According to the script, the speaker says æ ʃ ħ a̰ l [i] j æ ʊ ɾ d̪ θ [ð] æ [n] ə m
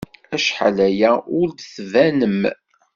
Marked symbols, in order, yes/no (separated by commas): no, no, yes